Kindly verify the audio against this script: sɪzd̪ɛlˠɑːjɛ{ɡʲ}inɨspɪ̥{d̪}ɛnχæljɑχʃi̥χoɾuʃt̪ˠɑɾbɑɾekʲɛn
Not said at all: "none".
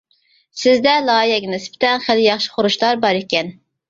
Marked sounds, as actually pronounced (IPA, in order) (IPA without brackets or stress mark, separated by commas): ɡʲ, t̪